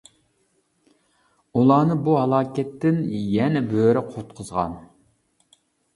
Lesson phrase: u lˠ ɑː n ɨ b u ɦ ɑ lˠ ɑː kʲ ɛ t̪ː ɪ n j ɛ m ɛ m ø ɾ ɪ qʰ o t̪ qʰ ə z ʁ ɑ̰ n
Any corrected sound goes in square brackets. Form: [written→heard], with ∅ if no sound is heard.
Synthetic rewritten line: u lˠ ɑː n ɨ b u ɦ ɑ lˠ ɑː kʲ ɛ t̪ː ɪ n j ɛ [m→n] ɛ [m→b] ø ɾ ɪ qʰ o t̪ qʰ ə z ʁ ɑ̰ n